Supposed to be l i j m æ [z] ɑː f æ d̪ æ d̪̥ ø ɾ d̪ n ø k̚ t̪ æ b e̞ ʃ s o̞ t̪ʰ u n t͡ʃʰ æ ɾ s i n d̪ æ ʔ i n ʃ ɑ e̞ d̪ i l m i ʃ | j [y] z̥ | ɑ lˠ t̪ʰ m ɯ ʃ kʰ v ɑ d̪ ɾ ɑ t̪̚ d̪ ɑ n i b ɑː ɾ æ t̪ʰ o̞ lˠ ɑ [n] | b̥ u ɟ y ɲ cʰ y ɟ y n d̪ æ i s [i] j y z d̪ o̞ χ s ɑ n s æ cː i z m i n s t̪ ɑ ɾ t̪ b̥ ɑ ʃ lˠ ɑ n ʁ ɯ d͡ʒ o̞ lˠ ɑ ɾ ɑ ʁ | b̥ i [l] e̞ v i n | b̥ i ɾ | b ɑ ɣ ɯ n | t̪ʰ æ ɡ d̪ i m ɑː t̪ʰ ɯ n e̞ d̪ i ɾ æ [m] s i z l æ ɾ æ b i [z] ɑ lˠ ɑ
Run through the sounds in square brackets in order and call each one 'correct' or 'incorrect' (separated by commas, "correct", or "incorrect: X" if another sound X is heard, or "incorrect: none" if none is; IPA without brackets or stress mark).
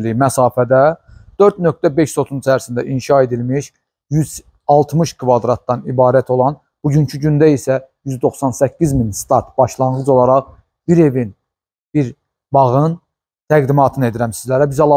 incorrect: s, correct, correct, incorrect: æ, incorrect: ɾ, correct, correct